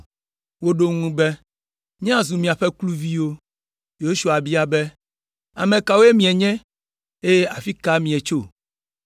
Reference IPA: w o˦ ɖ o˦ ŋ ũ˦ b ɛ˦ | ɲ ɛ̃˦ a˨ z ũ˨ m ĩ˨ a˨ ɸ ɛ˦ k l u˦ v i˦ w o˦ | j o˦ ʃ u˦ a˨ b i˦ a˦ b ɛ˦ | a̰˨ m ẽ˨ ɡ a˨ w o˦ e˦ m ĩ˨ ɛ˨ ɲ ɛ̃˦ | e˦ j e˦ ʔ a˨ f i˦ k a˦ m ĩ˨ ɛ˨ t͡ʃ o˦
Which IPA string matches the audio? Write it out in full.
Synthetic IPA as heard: w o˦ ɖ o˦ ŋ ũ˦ b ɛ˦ | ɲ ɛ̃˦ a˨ z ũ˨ m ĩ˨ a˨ ɸ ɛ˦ k l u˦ v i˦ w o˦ | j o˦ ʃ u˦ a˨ b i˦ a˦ b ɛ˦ | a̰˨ m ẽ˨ k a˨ w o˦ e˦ m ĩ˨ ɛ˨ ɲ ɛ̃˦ | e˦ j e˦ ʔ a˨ f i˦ k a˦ m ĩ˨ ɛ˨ t͡ʃ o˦